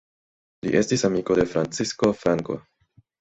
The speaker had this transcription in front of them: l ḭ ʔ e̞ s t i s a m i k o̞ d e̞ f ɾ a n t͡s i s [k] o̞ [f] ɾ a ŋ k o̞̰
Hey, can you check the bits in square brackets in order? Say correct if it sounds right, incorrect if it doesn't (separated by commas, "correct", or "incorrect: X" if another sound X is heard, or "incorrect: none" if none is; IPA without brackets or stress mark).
correct, correct